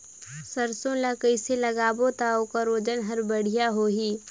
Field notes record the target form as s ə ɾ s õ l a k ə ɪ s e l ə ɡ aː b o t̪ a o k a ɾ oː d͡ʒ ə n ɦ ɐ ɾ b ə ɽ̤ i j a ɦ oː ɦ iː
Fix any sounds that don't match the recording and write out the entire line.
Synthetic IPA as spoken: s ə ɾ s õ l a k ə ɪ s e l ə ɡ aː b o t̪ a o k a ɾ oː d͡ʒ ə n ɦ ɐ ɾ b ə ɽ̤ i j a ɦ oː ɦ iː

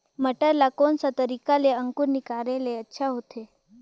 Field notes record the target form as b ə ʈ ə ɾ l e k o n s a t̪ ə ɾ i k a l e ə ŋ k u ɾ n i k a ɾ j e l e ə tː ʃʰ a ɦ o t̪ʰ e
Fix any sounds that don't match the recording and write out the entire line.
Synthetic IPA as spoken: m ə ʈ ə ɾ l a k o n s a t̪ ə ɾ i k a l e ə ŋ k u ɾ n i k a ɾ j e l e ə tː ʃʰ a ɦ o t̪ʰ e

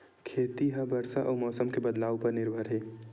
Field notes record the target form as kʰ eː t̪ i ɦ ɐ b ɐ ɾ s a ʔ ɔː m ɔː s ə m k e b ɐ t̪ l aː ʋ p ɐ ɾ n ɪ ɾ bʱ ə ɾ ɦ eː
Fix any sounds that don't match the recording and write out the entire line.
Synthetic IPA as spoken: kʰ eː t̪ i ɦ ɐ b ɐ ɾ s a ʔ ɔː m ɔː s ə m k e b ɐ d̪ l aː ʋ p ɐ ɾ n ɪ ɾ bʱ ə ɾ ɦ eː

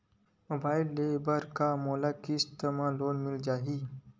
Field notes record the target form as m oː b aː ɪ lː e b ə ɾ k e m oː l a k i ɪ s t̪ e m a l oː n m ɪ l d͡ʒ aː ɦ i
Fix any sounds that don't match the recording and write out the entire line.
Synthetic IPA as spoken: m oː b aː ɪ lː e b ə ɾ k a m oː l a k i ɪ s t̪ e m a l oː n m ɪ l d͡ʒ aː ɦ i

